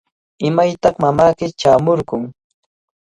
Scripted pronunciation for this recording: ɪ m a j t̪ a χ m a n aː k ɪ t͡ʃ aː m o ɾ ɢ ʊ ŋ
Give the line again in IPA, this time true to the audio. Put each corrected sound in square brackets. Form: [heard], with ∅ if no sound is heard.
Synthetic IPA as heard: ɪ m a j t̪ [ɑ] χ m a [m] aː k ɪ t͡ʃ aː m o ɾ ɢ ʊ ŋ